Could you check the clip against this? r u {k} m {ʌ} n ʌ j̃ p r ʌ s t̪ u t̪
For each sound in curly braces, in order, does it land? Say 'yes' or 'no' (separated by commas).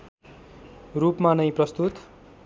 no, no